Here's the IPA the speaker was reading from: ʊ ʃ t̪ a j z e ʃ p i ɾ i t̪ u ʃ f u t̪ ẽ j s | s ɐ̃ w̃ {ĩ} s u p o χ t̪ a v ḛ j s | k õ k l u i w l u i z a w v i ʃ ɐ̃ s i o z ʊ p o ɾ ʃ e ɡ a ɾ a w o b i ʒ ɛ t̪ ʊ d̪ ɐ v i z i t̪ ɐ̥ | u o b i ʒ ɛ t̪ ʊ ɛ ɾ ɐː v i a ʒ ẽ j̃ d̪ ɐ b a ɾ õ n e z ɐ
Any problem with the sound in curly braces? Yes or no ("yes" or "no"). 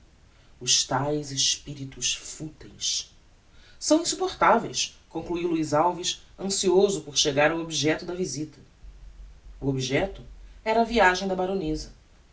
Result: no